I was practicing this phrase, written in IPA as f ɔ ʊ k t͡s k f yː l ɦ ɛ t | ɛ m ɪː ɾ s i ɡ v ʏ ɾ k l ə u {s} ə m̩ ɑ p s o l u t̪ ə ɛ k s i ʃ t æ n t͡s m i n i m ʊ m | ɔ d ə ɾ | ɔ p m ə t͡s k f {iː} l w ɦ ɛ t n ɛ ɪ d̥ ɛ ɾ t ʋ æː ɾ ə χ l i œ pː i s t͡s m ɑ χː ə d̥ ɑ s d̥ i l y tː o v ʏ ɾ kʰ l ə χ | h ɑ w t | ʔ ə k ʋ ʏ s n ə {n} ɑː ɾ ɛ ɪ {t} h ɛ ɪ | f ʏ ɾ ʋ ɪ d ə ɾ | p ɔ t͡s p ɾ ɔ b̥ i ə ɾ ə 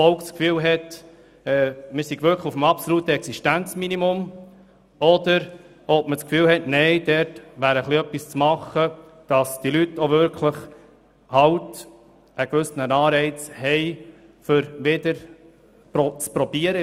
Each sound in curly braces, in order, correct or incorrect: incorrect: f, incorrect: yː, correct, incorrect: t͡s

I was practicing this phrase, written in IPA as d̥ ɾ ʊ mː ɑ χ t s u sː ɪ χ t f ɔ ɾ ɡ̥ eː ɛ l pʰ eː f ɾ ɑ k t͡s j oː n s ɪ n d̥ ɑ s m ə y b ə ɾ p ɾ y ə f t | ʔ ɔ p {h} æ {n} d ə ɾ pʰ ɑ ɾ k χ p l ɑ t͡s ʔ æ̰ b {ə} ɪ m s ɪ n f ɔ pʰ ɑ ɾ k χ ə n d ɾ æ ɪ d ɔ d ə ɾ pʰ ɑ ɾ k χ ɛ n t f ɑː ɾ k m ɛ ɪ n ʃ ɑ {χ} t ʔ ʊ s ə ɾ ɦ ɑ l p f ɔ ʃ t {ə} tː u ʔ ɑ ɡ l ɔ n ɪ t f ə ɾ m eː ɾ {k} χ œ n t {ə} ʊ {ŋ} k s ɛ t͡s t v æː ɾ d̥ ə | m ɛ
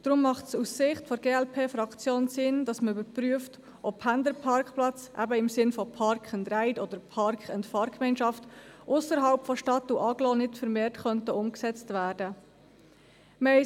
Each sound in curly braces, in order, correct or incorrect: correct, correct, correct, incorrect: f, incorrect: ɑ, incorrect: t, correct, incorrect: m

